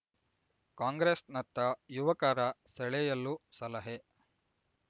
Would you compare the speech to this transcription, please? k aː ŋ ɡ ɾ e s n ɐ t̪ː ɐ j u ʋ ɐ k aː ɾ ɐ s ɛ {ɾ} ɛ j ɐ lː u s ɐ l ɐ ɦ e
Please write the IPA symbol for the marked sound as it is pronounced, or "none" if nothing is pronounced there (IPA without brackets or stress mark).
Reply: ɭ